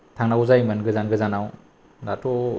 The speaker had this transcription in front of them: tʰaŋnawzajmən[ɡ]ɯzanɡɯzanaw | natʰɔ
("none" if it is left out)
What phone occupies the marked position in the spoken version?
ɡ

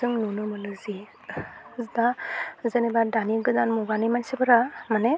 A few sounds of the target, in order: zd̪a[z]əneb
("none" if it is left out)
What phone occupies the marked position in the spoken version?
z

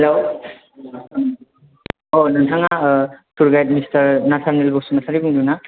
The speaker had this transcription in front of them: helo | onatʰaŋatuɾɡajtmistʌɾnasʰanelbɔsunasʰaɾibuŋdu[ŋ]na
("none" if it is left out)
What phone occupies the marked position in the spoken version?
none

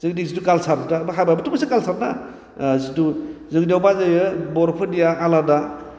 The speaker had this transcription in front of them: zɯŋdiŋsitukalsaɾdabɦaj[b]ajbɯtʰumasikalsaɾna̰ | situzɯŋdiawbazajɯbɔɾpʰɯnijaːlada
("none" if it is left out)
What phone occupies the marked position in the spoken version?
b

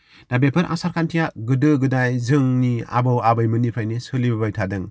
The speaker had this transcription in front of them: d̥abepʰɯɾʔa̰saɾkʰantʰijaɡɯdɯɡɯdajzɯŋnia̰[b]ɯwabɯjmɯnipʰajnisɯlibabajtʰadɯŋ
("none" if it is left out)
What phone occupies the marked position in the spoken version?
b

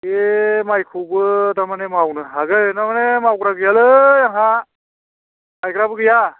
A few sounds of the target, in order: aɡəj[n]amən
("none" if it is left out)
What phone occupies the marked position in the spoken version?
n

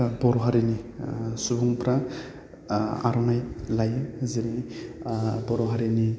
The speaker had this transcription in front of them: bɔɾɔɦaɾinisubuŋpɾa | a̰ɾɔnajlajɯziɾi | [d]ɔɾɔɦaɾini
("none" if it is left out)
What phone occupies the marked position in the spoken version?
b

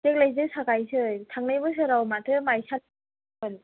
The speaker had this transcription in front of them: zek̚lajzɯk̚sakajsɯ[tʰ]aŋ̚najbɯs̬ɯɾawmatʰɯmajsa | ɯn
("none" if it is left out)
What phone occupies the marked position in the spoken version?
tʰ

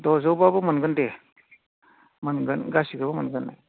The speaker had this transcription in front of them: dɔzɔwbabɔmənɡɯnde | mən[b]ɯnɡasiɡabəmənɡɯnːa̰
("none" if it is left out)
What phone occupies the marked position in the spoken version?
ɡ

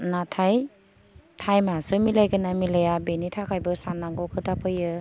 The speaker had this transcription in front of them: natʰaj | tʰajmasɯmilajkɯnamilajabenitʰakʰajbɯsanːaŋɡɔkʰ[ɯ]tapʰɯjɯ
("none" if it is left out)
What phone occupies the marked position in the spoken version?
ɯ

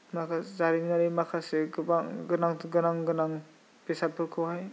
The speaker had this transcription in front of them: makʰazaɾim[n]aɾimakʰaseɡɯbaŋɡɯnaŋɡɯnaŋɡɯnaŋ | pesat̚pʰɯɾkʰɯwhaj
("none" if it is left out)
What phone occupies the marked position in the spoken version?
n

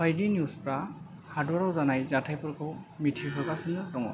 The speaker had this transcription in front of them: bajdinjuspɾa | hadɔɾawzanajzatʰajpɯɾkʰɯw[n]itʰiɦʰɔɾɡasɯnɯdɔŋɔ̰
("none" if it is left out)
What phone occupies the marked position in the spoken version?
m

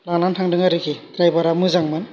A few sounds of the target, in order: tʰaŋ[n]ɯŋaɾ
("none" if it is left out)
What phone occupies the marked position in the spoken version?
d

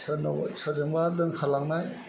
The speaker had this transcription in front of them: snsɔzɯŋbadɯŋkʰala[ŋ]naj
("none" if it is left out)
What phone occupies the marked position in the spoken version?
ŋ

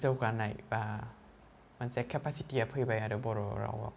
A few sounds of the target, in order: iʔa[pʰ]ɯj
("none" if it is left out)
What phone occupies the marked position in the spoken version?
pʰ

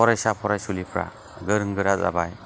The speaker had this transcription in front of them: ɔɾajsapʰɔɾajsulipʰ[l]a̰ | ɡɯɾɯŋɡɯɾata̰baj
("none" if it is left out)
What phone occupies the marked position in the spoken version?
ɾ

